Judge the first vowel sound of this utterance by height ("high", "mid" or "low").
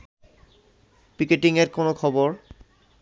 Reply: high